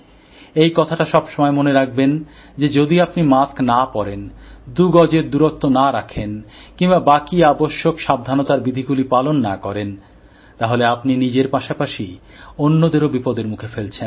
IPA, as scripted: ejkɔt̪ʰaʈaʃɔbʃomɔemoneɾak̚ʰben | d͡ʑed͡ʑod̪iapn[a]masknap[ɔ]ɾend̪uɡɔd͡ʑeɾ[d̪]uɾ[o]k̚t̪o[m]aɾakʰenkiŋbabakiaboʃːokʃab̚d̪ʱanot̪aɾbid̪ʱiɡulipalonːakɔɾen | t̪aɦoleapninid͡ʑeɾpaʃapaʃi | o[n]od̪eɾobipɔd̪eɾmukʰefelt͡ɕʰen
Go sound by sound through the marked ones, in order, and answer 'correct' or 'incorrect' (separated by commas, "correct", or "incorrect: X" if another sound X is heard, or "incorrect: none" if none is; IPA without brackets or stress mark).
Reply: incorrect: i, correct, correct, correct, incorrect: n, incorrect: nː